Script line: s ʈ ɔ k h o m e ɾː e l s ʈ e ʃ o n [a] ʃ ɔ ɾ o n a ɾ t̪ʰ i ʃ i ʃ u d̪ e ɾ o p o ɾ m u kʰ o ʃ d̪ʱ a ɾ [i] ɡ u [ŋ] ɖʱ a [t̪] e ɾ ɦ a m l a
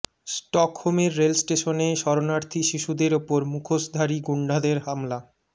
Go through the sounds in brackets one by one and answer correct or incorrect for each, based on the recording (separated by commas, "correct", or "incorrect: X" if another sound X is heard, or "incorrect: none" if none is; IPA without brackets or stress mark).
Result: incorrect: e, correct, incorrect: ɳ, incorrect: d̪